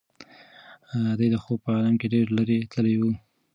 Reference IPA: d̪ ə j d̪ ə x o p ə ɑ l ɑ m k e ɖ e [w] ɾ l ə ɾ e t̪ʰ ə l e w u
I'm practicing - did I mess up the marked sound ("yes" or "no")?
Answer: yes